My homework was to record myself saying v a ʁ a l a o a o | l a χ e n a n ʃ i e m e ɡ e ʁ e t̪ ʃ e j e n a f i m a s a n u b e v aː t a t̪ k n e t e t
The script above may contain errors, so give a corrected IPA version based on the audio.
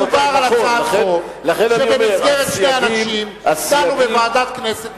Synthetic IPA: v a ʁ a l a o a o | l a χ e n a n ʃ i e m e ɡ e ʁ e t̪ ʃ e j a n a ʃ i m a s a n u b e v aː d a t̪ k n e s e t

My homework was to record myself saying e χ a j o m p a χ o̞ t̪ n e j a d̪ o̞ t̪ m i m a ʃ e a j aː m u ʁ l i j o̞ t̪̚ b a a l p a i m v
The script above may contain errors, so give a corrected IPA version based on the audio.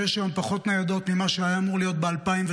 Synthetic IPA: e ʃ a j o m p a χ o̞ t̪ n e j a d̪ o̞ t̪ m i m a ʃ e a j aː m u ʁ l i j o̞ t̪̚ b e a l p a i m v

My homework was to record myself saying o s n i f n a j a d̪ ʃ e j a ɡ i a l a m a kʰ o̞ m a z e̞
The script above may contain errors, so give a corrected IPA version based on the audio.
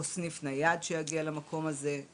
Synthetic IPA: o s n i f n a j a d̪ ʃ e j a ɡ i a l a m a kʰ o̞ m a z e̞

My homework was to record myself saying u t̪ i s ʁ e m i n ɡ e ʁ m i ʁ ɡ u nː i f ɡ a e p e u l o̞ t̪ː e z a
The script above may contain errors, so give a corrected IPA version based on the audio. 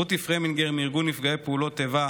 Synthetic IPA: u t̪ i f ʁ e m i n ɡ e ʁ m i ʁ ɡ u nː i f ɡ a e p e u l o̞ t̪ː e v a

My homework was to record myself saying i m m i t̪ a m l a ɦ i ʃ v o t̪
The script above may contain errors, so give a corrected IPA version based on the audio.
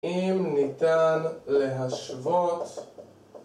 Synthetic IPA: i m n i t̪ a n l e ɦ a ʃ v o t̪

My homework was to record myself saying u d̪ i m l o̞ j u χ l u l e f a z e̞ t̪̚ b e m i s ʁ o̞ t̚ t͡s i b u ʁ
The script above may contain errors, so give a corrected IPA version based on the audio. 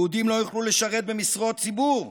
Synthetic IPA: u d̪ i m l o̞ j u χ l u l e ʃ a ʁ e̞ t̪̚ b e m i s ʁ o̞ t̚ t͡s i b u ʁ

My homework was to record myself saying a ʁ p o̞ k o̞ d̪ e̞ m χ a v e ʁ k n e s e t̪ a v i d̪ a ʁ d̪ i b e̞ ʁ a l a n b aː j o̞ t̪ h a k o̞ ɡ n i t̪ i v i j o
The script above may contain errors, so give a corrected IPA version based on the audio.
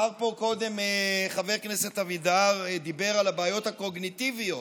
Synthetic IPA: a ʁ p o̞ k o̞ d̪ e̞ m χ a v e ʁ k n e s e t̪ a v i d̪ a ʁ d̪ i b e̞ ʁ a l a b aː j o̞ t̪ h a k o̞ ɡ n i t̪ i v i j o

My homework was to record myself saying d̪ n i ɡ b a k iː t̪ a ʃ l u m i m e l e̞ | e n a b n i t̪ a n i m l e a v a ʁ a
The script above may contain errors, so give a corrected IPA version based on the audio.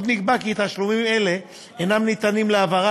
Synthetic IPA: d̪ n i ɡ b a k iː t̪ a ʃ l u m i m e l e̞ | e n a m n i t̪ a n i m l e a v a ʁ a

